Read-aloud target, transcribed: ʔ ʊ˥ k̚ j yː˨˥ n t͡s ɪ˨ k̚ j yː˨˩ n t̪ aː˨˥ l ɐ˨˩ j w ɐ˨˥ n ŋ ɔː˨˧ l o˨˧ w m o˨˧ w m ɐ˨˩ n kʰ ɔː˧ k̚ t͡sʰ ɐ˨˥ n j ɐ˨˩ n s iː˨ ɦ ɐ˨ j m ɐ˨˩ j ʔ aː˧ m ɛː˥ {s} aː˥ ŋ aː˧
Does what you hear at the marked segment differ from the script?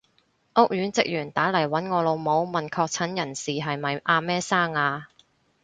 no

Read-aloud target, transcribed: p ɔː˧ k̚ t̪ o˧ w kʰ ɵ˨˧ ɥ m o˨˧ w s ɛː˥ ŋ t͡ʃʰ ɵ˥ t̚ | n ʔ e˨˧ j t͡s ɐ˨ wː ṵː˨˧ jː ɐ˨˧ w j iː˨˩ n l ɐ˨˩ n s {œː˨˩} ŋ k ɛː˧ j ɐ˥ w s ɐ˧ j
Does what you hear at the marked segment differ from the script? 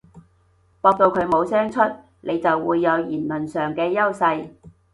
no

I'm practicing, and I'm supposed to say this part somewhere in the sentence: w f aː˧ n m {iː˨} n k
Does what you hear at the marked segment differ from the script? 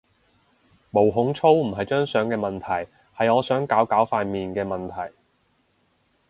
no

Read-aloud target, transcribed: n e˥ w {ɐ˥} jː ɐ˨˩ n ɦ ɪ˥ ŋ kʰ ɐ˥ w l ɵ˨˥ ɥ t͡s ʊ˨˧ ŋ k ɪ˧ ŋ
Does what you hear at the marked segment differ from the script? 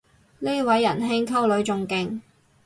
yes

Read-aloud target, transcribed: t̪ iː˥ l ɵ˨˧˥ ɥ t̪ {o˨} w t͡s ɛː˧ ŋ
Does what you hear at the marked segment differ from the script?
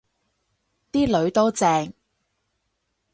yes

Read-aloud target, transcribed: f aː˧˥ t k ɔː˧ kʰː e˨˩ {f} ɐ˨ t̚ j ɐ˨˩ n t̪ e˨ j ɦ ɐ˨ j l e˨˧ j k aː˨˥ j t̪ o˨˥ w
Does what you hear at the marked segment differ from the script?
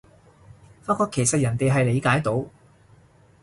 yes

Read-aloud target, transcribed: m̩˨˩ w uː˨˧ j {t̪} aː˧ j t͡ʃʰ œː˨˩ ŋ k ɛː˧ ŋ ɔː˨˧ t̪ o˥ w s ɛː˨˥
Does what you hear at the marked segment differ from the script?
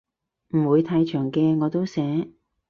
yes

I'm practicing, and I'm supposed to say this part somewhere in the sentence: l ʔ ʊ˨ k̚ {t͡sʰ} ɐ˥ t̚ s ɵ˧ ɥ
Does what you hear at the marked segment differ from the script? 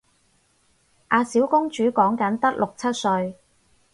no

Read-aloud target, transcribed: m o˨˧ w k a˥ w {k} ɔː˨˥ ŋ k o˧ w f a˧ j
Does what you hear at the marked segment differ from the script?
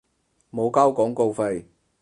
no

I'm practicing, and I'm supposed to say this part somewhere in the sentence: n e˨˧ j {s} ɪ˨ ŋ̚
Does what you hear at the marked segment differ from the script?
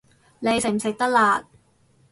no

